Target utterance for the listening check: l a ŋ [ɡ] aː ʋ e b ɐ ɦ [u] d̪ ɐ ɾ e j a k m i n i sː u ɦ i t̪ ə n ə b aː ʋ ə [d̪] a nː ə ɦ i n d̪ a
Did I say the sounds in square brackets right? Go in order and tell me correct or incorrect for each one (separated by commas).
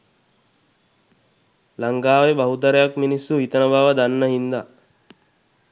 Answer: correct, correct, correct